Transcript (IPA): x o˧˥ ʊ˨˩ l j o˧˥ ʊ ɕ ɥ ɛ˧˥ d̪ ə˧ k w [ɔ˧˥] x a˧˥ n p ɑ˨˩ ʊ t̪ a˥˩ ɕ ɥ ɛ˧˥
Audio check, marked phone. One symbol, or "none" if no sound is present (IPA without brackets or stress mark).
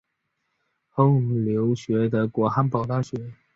ɔ˧˥